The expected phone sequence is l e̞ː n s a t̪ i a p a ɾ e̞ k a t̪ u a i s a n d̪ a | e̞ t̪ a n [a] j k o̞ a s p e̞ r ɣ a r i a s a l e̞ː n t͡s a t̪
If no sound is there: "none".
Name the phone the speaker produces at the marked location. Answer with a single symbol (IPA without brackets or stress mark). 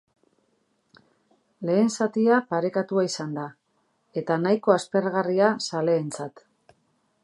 a